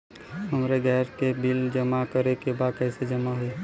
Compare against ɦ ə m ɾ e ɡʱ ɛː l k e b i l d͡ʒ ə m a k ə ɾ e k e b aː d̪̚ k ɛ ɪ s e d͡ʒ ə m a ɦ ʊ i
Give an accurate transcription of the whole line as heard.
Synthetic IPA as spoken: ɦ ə m ɾ e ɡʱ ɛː ɾ k e b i l d͡ʒ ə m a k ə ɾ e k e b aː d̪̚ k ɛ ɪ s e d͡ʒ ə m a ɦ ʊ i